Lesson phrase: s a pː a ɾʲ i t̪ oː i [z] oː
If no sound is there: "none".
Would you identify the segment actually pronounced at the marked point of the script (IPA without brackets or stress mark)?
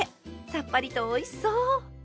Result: s